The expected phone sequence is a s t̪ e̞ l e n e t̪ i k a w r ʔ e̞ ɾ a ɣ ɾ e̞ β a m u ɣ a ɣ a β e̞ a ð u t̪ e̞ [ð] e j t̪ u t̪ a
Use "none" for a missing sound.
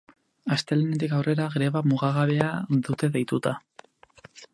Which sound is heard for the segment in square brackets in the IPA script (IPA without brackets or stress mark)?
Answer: ð